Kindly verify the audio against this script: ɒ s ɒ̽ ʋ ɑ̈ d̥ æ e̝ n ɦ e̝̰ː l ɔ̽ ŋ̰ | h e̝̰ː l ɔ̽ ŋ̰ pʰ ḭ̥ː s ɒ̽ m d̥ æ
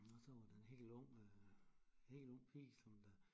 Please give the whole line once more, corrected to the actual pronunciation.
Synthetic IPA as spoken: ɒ s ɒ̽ ʋ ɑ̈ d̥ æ e̝ n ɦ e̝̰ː l ɔ̽ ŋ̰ | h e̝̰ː l ɔ̽ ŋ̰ pʰ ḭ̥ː s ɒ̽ m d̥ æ